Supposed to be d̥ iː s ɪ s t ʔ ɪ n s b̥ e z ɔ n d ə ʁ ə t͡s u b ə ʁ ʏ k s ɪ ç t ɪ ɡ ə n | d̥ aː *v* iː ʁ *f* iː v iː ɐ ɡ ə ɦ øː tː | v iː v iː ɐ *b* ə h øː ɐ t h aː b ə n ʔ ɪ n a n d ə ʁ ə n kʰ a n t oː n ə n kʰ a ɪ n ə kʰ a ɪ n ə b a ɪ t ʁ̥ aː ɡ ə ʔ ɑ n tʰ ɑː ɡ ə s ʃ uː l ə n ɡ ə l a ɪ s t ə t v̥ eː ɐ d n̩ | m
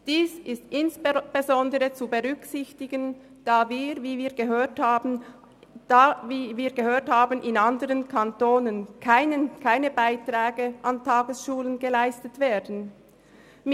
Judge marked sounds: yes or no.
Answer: yes, no, no

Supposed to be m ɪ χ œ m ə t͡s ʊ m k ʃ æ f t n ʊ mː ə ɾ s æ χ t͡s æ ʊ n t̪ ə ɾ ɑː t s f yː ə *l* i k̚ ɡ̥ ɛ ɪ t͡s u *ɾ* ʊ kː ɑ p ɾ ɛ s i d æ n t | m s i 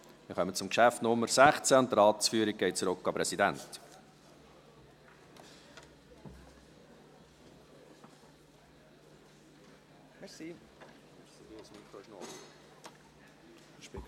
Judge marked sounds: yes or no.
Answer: no, yes

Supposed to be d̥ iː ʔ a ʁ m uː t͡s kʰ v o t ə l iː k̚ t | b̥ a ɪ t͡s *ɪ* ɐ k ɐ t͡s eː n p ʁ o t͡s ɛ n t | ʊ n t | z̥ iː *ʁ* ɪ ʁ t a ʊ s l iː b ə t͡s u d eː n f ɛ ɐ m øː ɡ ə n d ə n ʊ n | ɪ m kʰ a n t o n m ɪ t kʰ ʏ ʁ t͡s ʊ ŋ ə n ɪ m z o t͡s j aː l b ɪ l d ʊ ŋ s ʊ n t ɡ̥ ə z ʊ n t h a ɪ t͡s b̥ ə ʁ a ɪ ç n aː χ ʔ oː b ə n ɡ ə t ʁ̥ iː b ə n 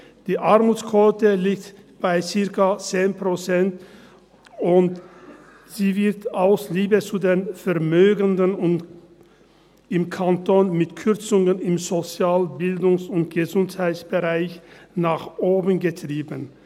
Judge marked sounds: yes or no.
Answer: yes, no

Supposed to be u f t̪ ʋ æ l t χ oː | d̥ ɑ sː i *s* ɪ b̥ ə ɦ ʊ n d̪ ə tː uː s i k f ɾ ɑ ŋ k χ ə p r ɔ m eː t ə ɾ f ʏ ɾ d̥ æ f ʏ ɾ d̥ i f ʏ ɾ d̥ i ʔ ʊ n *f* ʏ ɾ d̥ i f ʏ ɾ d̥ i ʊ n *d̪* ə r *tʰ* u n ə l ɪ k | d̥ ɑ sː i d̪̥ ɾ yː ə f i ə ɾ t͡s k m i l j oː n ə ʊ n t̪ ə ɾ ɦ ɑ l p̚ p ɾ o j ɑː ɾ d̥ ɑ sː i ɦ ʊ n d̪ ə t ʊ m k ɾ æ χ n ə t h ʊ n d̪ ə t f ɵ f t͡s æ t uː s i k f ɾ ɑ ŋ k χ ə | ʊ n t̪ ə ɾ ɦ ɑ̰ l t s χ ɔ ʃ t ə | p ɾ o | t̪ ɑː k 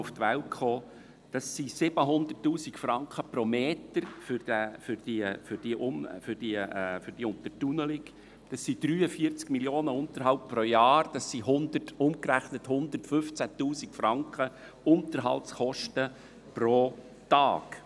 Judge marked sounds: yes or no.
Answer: yes, yes, no, no

